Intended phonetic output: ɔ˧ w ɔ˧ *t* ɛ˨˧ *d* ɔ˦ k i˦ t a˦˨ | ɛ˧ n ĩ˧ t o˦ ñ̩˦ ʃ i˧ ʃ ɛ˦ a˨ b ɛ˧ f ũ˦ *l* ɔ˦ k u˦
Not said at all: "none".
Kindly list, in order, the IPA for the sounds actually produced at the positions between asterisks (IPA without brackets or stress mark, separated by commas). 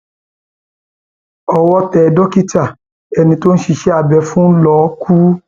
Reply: t, d, l